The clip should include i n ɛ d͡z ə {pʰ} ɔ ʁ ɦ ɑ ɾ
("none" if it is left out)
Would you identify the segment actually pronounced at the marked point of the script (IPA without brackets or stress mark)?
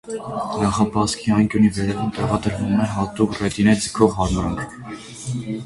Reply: kʰ